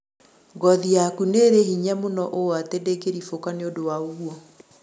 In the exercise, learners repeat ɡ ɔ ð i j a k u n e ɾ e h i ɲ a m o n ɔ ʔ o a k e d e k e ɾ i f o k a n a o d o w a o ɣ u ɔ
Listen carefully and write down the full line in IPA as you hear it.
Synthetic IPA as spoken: ɡ ɔ ð i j a k u n e ɾ e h i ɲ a m o n ɔ ʔ o a t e d e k e ɾ i f o k a n e o d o w a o ɣ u ɔ